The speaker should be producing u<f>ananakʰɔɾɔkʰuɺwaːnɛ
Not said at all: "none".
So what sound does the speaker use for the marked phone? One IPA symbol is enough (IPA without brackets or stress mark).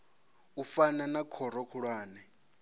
f